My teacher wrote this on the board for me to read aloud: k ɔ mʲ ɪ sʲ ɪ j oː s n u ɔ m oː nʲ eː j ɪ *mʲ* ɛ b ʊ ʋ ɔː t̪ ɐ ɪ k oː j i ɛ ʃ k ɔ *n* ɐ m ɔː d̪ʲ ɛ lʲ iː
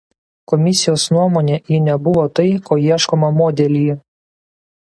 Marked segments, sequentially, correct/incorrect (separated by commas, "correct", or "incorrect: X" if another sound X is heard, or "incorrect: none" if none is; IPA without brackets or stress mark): incorrect: nʲ, incorrect: m